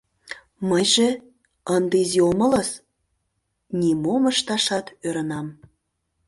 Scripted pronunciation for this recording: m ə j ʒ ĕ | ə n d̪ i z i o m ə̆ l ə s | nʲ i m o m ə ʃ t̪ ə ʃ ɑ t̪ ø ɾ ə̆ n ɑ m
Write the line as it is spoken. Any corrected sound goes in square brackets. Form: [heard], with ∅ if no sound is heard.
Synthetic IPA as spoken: m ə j ʒ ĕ | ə n d̪ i z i o m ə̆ l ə s | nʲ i m o m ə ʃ t̪ [ɑ] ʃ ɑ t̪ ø ɾ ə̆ n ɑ m